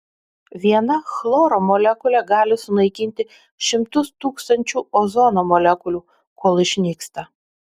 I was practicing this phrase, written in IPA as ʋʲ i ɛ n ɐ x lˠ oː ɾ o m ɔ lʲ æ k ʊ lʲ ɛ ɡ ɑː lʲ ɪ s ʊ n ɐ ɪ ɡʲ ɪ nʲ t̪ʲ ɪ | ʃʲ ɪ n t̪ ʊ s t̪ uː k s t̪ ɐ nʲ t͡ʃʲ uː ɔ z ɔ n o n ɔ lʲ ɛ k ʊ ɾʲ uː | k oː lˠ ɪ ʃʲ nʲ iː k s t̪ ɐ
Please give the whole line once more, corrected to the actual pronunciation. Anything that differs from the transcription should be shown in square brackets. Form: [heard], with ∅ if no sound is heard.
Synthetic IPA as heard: ʋʲ i ɛ n ɐ x lˠ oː ɾ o m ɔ lʲ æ k ʊ lʲ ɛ ɡ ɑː lʲ ɪ s ʊ n ɐ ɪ [kʲ] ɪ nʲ t̪ʲ ɪ | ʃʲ ɪ [m] t̪ ʊ s t̪ uː k s t̪ ɐ nʲ t͡ʃʲ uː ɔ z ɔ n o [m] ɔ lʲ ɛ k ʊ [lʲ] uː | k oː lˠ ɪ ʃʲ nʲ iː k s t̪ ɐ